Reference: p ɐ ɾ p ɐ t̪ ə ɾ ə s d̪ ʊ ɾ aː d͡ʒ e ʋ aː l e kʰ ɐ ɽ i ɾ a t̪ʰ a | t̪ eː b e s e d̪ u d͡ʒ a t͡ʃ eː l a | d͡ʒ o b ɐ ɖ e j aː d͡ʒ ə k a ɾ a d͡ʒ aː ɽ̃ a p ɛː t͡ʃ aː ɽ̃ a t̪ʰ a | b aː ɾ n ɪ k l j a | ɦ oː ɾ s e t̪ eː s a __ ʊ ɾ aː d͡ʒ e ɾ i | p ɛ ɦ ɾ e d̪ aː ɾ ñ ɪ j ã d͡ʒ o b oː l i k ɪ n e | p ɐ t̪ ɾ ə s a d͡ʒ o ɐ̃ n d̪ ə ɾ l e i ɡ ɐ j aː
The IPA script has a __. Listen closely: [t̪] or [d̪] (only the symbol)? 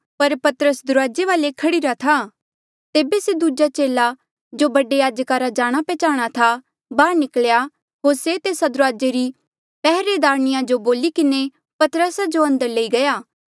d̪